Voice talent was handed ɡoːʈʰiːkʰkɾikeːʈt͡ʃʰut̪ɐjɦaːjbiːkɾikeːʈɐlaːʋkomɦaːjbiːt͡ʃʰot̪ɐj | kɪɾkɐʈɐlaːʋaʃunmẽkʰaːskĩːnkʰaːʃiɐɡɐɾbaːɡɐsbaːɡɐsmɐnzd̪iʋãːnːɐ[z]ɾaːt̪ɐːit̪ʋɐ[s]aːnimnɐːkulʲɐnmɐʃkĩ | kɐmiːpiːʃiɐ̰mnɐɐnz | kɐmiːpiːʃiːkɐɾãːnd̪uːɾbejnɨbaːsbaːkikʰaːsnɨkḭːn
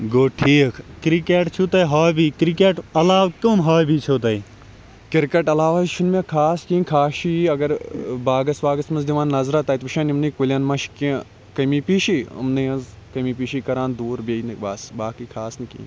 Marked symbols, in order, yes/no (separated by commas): yes, no